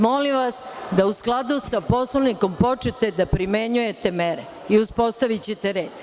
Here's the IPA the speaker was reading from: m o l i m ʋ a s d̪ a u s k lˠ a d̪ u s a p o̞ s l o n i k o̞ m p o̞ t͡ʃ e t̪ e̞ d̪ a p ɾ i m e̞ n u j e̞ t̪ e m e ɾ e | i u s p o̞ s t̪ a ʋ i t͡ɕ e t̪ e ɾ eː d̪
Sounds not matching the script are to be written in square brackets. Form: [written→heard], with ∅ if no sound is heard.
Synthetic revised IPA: m o l i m ʋ a s d̪ a u s k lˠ a d̪ u s a p o̞ s l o n i k o̞ m p o̞ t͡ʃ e t̪ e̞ d̪ a p ɾ i m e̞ [n→ɲ] u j e̞ t̪ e m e ɾ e | i u s p o̞ s t̪ a ʋ i t͡ɕ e t̪ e ɾ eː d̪